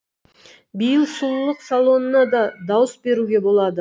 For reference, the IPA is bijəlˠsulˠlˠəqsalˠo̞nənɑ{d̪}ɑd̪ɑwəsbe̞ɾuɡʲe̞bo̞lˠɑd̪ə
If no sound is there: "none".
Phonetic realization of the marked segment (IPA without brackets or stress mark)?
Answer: d̪